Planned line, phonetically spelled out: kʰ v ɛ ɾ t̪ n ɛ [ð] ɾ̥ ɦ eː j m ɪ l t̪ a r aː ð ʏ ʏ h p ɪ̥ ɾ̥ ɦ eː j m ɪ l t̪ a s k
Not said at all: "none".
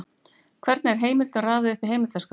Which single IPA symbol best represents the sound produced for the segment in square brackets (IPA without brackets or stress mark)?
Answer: none